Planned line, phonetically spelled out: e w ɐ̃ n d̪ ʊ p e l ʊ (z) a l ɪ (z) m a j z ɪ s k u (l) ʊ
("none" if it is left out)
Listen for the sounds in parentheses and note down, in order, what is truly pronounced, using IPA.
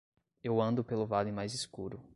v, none, ɾ

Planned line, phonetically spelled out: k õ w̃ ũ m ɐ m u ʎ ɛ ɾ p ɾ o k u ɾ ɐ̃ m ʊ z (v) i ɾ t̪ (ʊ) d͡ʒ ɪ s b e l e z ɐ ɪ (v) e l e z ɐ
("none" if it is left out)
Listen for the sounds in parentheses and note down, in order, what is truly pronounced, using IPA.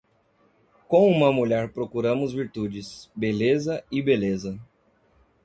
v, u, b

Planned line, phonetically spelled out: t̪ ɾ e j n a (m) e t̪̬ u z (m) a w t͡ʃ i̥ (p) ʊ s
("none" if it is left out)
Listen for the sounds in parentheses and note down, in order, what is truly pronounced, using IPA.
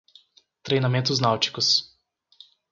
m, n, k

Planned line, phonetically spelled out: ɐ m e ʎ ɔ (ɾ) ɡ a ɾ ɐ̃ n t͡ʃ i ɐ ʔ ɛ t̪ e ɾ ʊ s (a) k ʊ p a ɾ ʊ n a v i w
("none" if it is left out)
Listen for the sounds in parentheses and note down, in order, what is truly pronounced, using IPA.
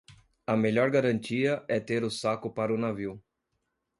ɾ, a

